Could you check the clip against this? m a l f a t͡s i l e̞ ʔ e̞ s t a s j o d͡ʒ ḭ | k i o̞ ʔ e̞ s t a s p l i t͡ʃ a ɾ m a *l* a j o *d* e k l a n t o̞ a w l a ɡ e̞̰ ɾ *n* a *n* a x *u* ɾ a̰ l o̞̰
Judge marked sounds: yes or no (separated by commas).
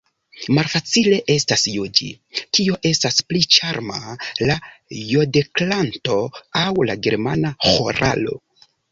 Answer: yes, yes, no, yes, no